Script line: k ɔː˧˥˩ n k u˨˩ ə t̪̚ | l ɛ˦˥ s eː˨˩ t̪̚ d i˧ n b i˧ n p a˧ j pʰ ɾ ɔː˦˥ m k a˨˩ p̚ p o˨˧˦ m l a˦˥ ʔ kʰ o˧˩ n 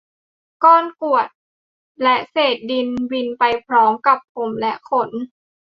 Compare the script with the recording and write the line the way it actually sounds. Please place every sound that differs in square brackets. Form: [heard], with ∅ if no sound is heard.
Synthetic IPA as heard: k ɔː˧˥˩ n k u˨˩ ə t̪̚ | l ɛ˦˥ s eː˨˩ t̪̚ d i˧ n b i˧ n p a˧ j pʰ ɾ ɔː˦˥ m k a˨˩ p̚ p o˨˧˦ m l [ɛ˦˥] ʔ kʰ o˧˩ n